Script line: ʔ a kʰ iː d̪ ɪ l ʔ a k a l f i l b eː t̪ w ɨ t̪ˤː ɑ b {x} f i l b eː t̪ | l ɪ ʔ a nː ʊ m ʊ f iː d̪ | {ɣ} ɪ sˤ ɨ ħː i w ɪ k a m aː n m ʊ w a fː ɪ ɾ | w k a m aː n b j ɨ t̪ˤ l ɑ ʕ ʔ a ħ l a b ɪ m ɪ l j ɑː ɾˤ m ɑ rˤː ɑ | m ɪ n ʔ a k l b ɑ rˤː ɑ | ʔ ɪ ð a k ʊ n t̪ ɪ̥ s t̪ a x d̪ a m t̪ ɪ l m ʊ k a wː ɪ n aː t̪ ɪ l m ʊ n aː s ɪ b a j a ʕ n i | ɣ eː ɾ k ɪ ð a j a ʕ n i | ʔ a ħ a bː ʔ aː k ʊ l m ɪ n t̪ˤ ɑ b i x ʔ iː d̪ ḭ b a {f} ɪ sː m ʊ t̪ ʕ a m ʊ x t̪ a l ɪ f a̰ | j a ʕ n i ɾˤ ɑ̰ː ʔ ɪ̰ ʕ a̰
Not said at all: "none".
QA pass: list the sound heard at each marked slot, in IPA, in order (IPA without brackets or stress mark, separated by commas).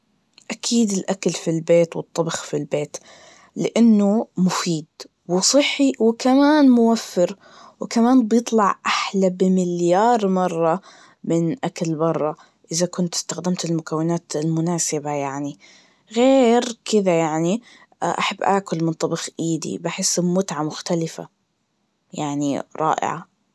x, w, ħ